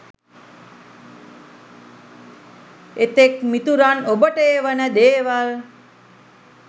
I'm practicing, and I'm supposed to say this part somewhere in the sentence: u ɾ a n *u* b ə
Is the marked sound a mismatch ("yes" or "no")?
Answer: yes